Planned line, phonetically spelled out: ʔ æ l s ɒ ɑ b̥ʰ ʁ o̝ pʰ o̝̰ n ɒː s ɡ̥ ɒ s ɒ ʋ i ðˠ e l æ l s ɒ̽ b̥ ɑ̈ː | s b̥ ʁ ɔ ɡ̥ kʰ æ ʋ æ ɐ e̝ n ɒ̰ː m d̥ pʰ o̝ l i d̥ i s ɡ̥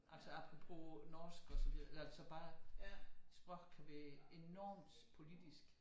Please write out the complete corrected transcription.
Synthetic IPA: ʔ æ l s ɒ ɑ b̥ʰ ʁ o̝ pʰ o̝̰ n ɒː s ɡ̥ ɒ s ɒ ʋ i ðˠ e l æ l s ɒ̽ b̥ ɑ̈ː | s b̥ ʁ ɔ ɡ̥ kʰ æ ʋ æ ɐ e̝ n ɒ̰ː m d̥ pʰ o̝ l i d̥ i s ɡ̥

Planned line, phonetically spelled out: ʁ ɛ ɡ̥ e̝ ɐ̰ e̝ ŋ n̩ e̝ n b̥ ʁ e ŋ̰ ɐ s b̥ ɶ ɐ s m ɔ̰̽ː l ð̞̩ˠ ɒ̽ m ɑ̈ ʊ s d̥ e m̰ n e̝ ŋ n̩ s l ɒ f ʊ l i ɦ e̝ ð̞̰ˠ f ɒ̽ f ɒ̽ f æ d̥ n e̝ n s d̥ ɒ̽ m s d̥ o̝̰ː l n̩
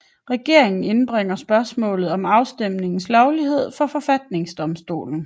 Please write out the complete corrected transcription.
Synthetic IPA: ʁ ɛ ɡ̥ e̝ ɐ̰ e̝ ŋ n̩ e̝ n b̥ ʁ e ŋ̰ ɐ s b̥ ɶ ɐ s m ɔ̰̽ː l ð̞̩ˠ ɒ̽ m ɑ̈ ʊ s d̥ e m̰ n e̝ ŋ n̩ s l ɒ ʊ l i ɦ e̝ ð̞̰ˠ f ɒ̽ f ɒ̽ f æ d̥ n e̝ ŋ s d̥ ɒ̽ m s d̥ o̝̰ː l n̩

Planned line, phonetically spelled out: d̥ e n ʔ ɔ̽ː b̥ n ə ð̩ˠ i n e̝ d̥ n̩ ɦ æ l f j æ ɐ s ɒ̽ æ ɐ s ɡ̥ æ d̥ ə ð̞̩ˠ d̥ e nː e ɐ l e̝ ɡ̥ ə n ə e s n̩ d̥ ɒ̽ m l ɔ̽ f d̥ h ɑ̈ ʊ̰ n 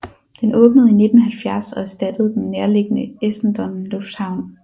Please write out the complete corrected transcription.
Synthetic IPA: d̥ e n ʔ ɔ̽ː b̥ n ə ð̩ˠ i n e̝ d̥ n̩ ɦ æ l f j æ ɐ s ɒ̽ æ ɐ s d̥ æ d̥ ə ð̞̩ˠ d̥ e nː e ɐ l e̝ ɡ̥ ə n ə e s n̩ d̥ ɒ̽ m l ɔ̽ f d̥ h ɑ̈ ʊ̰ n

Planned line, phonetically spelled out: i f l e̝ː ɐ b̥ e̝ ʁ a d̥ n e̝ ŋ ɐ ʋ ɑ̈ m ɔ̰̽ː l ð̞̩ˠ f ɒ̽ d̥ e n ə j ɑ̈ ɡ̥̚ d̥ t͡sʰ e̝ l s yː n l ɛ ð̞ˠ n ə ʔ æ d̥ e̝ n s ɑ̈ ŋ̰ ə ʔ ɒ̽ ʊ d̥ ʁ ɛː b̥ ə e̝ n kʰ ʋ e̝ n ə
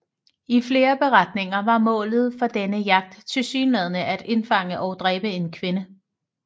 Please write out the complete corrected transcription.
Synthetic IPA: i f l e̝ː ɐ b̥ e̝ ʁ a d̥ n e̝ ŋ ɐ ʋ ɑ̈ m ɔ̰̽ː l ð̞̩ˠ f ɒ̽ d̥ e n ə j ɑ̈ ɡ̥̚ d̥ t͡sʰ e̝ l s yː n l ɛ ð̞ˠ n ə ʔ æ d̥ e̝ n f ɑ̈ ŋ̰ ə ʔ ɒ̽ ʊ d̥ ʁ ɛː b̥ ə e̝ n kʰ ʋ e̝ n ə

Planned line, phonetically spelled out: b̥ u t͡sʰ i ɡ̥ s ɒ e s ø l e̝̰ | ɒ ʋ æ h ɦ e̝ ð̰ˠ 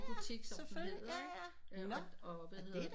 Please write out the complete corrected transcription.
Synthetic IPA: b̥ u t͡sʰ i ɡ̥ s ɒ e f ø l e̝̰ | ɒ ʋ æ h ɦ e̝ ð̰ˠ

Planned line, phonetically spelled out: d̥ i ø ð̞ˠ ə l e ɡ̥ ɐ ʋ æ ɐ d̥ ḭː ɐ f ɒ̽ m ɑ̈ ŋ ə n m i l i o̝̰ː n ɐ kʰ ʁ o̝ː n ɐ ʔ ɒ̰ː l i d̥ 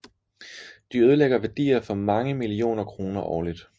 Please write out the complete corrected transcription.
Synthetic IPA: d̥ i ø ð̞ˠ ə l e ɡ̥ ɐ ʋ æ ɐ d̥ ḭː ɐ f ɒ̽ m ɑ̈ ŋ ə m i l i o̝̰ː n ɐ kʰ ʁ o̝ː n ɐ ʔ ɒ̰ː l i d̥

